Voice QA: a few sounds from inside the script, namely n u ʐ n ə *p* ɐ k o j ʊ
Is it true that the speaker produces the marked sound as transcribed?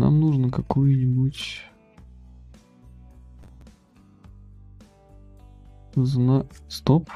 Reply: no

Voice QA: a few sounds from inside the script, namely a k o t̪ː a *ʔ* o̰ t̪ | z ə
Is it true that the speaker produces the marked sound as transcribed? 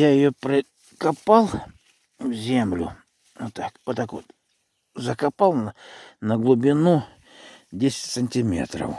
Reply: no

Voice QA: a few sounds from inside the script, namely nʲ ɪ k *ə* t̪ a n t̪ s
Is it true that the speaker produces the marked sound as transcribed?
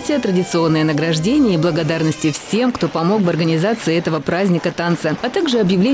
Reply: yes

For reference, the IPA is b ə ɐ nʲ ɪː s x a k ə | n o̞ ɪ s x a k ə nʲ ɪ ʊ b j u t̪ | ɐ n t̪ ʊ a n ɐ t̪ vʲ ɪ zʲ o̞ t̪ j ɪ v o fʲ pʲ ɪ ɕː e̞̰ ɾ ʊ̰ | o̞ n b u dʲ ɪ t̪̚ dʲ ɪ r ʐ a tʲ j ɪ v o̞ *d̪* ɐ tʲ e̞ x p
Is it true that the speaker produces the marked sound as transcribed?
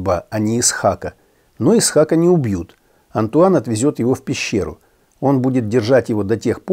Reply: yes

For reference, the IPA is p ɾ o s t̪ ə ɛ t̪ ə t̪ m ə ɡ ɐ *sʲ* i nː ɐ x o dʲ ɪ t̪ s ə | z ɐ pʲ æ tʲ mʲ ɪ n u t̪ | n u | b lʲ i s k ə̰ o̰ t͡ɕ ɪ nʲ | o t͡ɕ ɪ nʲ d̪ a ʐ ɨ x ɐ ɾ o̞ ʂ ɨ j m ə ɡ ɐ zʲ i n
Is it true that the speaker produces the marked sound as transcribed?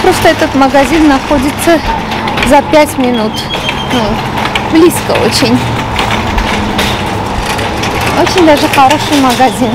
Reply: no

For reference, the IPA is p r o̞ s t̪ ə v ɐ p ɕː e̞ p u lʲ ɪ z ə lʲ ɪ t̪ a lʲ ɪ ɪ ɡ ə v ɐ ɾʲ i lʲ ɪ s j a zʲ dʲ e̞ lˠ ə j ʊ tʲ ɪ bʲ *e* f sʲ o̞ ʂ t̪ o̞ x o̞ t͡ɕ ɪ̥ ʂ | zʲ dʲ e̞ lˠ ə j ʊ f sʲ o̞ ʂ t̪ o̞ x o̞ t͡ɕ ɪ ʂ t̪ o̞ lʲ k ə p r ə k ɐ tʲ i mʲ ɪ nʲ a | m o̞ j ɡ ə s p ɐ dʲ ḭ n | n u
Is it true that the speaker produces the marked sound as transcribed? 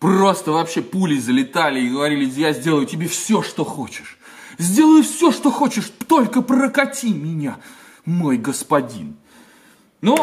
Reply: yes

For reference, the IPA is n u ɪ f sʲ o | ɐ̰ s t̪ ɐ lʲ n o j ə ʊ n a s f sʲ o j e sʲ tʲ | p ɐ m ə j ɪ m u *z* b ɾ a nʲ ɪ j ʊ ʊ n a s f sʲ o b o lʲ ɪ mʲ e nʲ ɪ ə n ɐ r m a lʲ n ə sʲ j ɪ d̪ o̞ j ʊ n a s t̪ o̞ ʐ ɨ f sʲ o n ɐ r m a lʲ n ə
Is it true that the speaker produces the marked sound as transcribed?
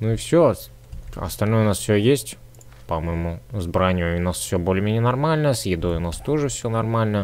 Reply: yes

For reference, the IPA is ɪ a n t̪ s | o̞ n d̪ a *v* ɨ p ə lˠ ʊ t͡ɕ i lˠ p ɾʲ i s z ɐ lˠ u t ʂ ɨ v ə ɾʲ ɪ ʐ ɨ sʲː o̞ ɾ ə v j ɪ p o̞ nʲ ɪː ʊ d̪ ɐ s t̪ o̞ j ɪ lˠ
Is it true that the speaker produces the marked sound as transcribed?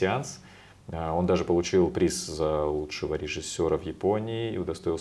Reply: no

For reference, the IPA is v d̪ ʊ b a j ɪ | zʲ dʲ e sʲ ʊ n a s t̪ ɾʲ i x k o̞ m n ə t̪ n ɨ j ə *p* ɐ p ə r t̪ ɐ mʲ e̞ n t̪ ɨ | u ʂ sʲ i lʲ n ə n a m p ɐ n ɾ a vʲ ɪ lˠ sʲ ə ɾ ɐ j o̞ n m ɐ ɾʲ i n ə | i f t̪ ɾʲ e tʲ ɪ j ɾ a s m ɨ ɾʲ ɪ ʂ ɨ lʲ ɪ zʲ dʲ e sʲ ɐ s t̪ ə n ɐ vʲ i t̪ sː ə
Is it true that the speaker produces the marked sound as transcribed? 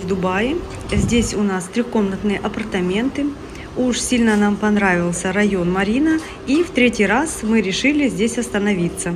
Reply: no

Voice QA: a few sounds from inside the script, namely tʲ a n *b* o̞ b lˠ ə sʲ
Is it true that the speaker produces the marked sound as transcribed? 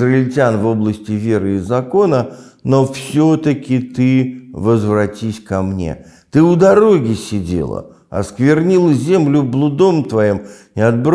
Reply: no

